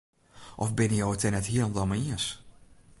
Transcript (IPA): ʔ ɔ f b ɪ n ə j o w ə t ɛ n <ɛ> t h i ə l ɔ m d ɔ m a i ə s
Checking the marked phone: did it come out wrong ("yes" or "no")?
no